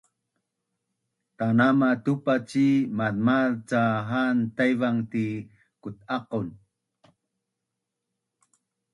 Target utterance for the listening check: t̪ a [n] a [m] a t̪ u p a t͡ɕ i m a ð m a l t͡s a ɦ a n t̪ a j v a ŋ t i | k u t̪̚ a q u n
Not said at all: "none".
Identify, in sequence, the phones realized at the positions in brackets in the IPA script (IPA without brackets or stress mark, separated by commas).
n, m